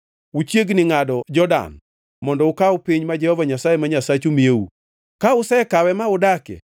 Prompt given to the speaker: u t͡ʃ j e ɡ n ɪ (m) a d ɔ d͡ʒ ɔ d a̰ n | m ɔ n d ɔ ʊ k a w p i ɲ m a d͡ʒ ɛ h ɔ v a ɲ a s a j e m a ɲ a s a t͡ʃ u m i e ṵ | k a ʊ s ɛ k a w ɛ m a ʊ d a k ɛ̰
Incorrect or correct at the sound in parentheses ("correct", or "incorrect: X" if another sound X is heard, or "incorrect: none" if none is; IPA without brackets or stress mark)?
incorrect: ŋ